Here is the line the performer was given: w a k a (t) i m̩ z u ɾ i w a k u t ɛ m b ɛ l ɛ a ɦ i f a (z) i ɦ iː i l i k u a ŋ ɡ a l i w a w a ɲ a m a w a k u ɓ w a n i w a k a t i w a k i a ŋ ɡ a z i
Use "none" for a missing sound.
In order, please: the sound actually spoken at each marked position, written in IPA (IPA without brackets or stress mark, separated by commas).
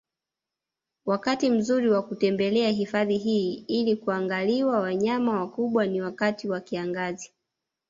t, ð